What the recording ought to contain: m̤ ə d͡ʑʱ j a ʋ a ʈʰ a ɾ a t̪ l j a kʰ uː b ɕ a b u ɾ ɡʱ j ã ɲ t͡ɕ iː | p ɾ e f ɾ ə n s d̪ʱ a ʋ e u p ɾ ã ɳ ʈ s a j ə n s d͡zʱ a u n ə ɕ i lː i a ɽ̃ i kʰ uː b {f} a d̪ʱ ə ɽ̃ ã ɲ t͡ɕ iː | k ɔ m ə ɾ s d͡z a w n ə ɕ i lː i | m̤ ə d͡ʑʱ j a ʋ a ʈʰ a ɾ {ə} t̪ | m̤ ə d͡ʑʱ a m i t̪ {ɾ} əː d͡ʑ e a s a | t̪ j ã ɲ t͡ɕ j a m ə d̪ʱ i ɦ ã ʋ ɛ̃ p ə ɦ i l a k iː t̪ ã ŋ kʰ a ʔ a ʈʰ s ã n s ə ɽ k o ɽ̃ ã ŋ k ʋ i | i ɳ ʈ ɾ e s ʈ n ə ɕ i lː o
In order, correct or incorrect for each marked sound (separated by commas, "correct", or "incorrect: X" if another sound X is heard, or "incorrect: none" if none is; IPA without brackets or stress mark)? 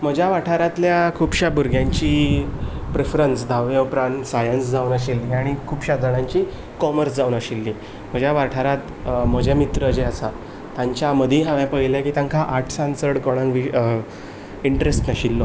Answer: incorrect: ɕ, incorrect: a, correct